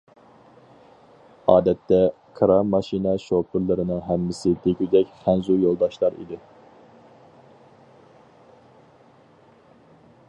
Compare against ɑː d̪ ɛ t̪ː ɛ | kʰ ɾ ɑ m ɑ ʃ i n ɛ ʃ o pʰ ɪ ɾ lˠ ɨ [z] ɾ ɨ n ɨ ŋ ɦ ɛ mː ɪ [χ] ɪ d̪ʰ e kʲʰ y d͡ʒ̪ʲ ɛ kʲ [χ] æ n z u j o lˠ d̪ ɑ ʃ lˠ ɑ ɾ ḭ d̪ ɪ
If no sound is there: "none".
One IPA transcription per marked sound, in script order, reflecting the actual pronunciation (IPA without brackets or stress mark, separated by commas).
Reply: none, s, χ